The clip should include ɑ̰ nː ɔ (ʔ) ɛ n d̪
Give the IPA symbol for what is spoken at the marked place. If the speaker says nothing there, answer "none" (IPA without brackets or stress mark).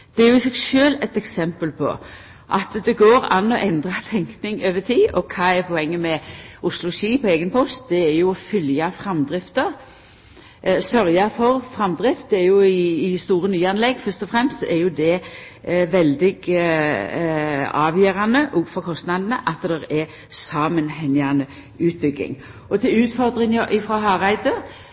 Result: ʔ